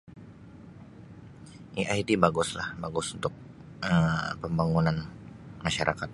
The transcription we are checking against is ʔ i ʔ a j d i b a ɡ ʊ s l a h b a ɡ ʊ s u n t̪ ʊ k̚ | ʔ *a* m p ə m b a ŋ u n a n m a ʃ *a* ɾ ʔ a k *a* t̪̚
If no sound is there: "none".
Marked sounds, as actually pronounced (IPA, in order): ə, a, a

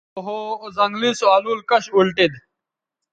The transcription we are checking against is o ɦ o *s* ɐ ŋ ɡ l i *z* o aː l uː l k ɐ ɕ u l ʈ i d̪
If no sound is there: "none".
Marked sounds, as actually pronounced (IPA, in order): z, s

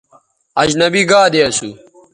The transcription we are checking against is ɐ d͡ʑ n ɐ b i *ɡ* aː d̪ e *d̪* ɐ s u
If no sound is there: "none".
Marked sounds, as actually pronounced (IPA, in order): ɡ, none

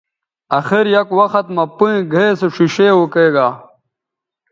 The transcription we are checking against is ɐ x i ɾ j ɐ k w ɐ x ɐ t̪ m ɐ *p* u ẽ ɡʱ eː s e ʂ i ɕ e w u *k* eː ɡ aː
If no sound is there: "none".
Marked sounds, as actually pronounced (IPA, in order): p, k

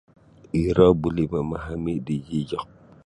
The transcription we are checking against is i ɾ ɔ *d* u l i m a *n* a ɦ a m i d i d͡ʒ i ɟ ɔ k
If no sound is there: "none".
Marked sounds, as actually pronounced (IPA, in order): b, m

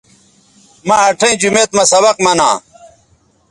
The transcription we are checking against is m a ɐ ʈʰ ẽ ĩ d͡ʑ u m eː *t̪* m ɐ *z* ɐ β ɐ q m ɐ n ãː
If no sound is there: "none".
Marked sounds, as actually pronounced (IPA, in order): t̪, s

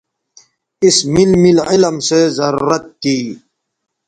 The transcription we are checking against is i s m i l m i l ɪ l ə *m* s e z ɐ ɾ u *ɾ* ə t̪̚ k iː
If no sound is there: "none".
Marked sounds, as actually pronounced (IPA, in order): m, ɾ

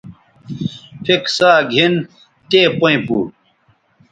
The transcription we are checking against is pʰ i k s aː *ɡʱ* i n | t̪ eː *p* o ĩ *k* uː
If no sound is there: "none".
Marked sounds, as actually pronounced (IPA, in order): ɡʱ, p, p

